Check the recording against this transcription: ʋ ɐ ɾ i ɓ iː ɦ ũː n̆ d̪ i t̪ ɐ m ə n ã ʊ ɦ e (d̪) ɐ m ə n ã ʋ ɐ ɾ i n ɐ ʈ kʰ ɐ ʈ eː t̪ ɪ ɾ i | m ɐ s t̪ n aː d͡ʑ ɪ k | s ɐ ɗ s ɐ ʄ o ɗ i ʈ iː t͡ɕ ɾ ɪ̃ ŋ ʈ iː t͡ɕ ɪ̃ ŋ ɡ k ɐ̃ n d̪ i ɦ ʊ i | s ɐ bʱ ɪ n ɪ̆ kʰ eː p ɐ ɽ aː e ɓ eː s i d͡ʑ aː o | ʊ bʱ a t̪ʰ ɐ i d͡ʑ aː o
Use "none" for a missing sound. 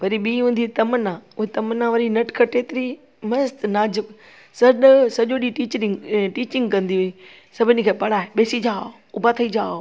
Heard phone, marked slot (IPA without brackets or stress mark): t̪